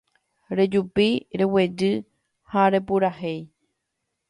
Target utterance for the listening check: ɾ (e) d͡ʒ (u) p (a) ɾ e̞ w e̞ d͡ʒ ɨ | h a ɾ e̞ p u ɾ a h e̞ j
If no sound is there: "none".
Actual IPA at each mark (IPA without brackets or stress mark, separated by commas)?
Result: e, u, i